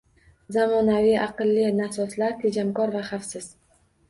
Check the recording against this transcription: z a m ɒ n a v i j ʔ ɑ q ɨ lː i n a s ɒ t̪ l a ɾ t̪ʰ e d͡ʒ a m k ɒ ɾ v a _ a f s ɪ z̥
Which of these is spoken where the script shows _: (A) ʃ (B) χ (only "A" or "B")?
B